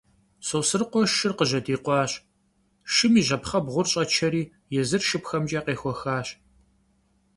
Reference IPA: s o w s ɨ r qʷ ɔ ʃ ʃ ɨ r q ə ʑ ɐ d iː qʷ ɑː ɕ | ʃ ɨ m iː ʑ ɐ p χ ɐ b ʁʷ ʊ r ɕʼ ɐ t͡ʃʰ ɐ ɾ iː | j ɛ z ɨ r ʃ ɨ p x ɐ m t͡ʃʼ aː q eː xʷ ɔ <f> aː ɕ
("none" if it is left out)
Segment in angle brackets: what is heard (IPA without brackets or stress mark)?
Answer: x